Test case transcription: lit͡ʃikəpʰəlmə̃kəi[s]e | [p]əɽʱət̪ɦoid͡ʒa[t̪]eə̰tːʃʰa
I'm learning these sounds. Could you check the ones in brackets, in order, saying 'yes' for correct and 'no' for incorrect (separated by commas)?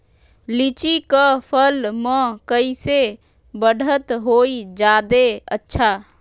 yes, no, no